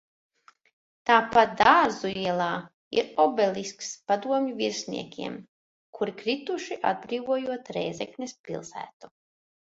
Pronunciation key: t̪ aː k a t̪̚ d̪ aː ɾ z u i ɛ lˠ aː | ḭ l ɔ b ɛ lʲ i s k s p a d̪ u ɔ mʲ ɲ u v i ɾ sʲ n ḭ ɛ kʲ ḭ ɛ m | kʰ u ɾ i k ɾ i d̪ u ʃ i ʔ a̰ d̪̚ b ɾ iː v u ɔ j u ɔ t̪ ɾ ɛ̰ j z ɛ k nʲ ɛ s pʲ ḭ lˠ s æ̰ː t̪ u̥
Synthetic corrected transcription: t̪ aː p a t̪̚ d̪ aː ɾ z u i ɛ lˠ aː | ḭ ɾ ɔ b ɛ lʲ i s k s p a d̪ u ɔ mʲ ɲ u v i ɾ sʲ n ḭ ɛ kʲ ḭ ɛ m | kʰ u ɾ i k ɾ i t̪ u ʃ i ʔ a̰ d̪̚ b ɾ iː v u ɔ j u ɔ t̪ ɾ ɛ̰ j z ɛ k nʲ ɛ s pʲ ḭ lˠ s æ̰ː t̪ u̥